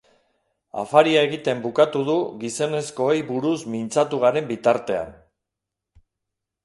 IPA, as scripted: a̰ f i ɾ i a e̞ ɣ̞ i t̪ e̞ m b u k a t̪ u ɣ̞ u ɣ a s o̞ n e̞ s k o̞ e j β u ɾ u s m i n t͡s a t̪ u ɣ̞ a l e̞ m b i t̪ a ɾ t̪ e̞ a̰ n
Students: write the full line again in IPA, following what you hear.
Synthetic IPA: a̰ f a ɾ i a e̞ ɣ̞ i t̪ e̞ m b u k a t̪ u ð̞ u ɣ i s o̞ n e̞ s k o̞ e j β u ɾ u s m i n t͡s a t̪ u ɣ̞ a ɾ e̞ m b i t̪ a ɾ t̪ e̞ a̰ n